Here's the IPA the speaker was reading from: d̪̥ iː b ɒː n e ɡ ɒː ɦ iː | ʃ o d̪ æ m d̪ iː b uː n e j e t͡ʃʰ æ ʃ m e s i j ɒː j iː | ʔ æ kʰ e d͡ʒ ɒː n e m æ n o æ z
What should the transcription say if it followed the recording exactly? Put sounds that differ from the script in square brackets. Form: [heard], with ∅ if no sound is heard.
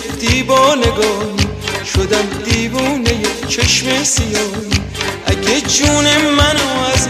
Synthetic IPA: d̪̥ iː b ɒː n e ɡ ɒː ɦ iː | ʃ o d̪ æ m d̪ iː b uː n e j e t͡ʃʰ [e] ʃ m e s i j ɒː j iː | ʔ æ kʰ e d͡ʒ [uː] n e m æ n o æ z